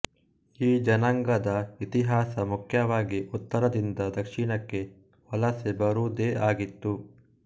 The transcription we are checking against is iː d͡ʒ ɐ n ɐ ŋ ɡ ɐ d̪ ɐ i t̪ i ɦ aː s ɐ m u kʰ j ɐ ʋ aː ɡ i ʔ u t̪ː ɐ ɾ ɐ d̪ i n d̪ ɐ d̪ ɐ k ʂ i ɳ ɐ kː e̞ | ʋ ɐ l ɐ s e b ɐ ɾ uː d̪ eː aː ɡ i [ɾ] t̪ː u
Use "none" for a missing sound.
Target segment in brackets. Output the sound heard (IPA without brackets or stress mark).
none